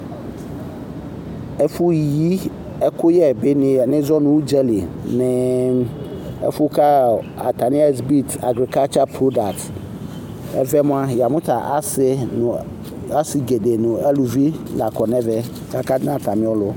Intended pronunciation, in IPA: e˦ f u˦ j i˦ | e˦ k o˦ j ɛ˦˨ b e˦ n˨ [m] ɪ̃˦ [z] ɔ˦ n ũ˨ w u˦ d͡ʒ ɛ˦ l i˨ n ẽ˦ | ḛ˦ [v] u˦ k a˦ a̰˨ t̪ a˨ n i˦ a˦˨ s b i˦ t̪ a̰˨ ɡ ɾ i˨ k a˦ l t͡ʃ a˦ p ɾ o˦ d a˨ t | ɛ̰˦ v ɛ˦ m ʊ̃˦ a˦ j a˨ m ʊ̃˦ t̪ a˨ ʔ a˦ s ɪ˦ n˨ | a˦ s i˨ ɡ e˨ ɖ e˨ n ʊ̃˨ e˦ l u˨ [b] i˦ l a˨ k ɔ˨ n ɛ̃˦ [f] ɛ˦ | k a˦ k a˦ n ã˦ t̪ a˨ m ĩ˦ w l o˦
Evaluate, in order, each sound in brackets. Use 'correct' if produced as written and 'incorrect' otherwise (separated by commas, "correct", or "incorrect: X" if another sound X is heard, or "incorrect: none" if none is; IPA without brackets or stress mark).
incorrect: n, correct, incorrect: f, incorrect: v, incorrect: v